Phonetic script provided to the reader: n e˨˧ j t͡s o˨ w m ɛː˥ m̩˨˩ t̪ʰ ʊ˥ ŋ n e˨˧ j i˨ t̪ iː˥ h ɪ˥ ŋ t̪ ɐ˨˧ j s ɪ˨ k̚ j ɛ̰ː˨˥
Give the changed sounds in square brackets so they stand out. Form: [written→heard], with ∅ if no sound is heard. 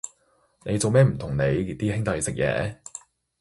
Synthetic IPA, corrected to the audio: n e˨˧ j t͡s o˨ w m ɛː˥ m̩˨˩ t̪ʰ [ʊ˥→ʊ˨˩] ŋ n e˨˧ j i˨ t̪ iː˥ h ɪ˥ ŋ t̪ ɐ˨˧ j s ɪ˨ k̚ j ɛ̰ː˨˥

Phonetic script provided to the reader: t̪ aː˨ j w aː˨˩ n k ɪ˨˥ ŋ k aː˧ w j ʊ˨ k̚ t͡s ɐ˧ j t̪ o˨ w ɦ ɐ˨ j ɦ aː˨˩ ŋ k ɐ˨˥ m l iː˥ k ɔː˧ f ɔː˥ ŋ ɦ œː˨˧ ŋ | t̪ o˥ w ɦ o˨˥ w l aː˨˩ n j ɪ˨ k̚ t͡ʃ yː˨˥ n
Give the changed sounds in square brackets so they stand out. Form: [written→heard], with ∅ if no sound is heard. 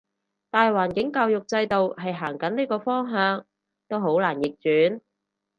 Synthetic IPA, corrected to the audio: t̪ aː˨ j w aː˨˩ n k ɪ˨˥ ŋ k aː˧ w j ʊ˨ k̚ t͡s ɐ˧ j t̪ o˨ w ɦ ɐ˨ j ɦ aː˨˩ ŋ k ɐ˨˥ [m→n] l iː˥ k ɔː˧ f ɔː˥ ŋ ɦ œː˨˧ ŋ | t̪ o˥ w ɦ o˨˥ w l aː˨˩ n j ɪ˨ k̚ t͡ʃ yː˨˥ n

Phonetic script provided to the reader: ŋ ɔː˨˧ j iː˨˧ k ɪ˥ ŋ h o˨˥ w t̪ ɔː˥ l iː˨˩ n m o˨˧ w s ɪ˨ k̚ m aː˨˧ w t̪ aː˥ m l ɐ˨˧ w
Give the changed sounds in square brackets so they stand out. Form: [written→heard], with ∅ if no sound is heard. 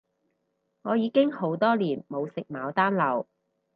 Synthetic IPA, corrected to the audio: ŋ ɔː˨˧ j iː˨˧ k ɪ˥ ŋ h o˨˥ w t̪ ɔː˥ l iː˨˩ n m o˨˧ w s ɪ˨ k̚ m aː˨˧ w t̪ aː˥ [m→n] l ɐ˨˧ w

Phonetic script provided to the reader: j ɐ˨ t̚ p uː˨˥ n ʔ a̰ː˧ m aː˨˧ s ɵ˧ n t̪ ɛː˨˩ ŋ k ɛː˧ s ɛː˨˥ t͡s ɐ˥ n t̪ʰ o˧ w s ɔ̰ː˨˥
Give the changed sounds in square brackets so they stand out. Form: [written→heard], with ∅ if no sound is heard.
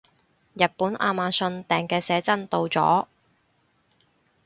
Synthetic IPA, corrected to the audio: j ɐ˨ t̚ p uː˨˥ n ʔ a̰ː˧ m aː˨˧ s ɵ˧ n t̪ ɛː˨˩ ŋ k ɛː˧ s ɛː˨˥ t͡s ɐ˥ n [t̪ʰ→t̪] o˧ w [s→t͡s] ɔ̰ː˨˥

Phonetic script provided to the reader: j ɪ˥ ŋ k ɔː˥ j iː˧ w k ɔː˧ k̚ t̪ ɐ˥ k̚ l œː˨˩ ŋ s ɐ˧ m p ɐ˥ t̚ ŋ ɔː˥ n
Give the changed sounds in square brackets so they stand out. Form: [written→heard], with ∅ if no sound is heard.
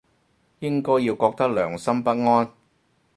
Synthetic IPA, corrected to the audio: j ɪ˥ ŋ k ɔː˥ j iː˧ w k ɔː˧ k̚ t̪ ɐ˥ k̚ l œː˨˩ ŋ s [ɐ˧→ɐ˥] m p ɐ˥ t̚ ŋ ɔː˥ n

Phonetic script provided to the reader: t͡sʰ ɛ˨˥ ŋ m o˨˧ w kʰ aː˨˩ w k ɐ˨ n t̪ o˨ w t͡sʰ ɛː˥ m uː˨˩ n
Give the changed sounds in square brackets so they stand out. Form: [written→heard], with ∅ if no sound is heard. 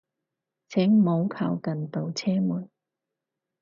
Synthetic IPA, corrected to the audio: t͡sʰ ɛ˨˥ ŋ m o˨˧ w kʰ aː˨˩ w k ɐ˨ n t̪ o˨ w t͡sʰ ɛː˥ m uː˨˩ n

